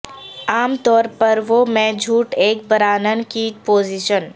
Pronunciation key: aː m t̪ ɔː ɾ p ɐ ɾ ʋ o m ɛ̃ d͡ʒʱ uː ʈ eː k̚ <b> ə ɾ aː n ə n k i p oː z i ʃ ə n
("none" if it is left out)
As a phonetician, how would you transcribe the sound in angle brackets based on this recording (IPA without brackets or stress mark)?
b